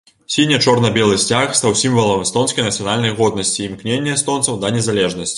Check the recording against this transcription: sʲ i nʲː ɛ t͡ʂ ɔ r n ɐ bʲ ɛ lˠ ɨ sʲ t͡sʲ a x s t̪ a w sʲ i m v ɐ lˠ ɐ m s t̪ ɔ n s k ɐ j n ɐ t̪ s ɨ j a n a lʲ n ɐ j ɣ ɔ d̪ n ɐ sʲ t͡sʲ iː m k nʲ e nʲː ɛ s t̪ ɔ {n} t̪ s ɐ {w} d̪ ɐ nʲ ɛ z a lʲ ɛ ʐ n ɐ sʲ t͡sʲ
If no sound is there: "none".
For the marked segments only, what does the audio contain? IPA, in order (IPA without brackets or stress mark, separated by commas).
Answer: n, w